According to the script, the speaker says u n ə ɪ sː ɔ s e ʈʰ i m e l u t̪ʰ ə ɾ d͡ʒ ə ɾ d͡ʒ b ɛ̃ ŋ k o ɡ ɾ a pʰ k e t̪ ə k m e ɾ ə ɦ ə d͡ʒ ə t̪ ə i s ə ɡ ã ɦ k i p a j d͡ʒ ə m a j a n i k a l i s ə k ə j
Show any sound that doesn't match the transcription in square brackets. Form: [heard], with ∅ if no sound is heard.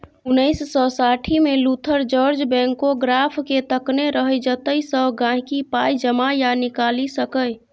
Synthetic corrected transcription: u n ə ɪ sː ɔ s [a] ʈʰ i m e l u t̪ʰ ə ɾ d͡ʒ ə ɾ d͡ʒ b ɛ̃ ŋ k o ɡ ɾ a pʰ k e t̪ ə k [n] e ɾ ə ɦ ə d͡ʒ ə t̪ ə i s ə ɡ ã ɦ k i p a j d͡ʒ ə m a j a n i k a l i s ə k ə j